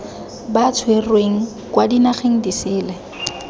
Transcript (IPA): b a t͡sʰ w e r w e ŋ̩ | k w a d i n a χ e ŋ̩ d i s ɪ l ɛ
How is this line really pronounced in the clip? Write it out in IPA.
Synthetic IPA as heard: b a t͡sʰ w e r w e ŋ̩ | k w a d i n a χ e ŋ̩ d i s ɪː l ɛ